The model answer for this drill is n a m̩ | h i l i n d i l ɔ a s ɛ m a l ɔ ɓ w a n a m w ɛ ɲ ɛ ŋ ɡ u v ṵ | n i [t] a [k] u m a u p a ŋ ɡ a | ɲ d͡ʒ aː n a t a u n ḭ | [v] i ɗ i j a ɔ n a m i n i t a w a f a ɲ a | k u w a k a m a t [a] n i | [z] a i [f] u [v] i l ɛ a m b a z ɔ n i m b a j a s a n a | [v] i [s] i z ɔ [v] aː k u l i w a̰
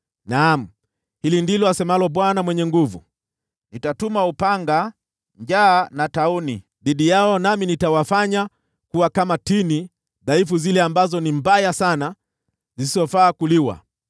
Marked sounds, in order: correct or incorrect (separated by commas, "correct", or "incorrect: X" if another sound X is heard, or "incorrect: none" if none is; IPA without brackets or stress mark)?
correct, incorrect: t, incorrect: ð, incorrect: i, incorrect: ð, correct, incorrect: z, incorrect: z, correct, incorrect: f